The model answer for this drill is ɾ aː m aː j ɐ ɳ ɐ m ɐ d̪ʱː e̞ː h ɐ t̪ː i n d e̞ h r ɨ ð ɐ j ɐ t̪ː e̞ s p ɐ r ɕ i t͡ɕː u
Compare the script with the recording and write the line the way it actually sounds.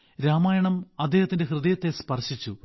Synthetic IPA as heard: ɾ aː m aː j ɐ ɳ ɐ m ɐ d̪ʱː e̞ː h ɐ t̪ː i n d e̞ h r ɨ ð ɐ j ɐ t̪ː e̞ s p ɐ r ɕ i t͡ɕː u